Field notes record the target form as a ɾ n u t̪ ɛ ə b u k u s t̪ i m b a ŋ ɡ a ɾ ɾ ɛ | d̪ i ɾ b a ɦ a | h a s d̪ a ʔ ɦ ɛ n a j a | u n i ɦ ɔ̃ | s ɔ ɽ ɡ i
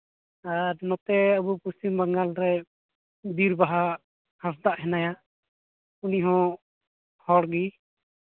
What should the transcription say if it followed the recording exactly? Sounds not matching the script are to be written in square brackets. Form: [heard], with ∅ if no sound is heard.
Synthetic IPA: a ɾ n [ɔ] t̪ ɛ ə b u [p] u s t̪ i m b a ŋ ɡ a [l] ɾ ɛ | d̪ i ɾ b a ɦ a | h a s d̪ a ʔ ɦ ɛ n a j a | u n i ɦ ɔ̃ | [h] ɔ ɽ ɡ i

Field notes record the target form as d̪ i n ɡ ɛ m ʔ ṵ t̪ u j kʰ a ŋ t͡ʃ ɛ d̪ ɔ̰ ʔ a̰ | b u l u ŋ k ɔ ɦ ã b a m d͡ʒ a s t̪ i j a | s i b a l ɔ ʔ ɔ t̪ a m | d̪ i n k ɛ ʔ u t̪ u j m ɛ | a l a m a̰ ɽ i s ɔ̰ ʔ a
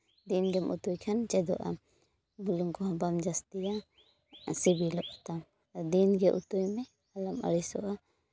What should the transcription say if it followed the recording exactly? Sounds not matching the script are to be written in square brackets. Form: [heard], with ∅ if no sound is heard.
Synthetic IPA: d̪ i n ɡ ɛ m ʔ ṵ t̪ u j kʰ a [n] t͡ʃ ɛ d̪ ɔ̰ ʔ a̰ | b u l u ŋ k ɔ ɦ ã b a m d͡ʒ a s t̪ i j a | s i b [i] l ɔ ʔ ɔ t̪ a m | d̪ i n [ɡ] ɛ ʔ u t̪ u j m ɛ | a l a m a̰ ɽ i s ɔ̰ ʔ a

